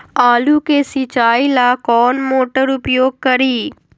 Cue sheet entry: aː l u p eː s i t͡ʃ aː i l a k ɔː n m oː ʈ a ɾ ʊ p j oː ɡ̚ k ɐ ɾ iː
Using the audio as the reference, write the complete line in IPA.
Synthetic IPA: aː l u k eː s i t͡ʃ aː i l a k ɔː n m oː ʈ ə ɾ ʊ p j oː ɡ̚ k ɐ ɾ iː